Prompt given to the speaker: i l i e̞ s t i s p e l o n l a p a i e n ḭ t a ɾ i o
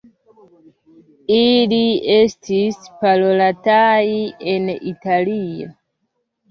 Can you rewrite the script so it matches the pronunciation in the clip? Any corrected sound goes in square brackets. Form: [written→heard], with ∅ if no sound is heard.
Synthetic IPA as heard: i l i e̞ s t i s p [e→a] l o [n→∅] l a [p→t] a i e n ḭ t a [ɾ→l] i o